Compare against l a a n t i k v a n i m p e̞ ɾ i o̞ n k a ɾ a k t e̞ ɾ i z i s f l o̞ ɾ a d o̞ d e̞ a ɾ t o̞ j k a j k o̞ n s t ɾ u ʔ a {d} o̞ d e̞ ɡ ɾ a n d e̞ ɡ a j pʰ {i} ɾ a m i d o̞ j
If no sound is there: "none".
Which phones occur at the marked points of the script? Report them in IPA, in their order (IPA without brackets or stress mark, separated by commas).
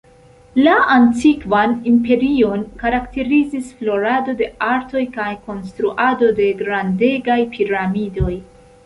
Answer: d, i